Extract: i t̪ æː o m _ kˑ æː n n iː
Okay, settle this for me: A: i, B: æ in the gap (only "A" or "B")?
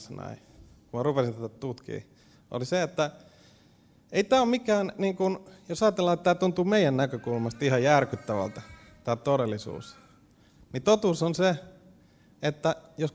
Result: A